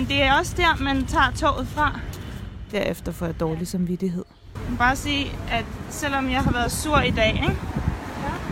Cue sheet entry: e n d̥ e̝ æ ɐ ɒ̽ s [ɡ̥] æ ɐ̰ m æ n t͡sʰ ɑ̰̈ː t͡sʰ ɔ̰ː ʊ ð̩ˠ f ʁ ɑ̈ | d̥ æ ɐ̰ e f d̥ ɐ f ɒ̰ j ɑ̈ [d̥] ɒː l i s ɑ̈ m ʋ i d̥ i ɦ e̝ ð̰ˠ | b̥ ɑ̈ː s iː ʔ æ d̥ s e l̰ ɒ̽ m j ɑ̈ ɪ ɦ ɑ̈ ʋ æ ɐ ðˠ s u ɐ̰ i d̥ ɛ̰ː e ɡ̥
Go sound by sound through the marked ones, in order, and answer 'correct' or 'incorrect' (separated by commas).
incorrect, correct